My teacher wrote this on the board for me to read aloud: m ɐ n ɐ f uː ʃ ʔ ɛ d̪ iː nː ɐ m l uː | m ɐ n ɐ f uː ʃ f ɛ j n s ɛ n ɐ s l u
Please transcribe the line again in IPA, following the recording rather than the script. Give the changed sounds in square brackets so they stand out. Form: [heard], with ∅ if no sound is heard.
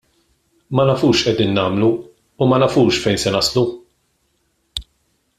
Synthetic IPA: m ɐ n ɐ f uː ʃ ʔ ɛ d̪ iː nː [ɐː] m l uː | m ɐ n ɐ f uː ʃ f ɛ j n s ɛ n ɐ s l u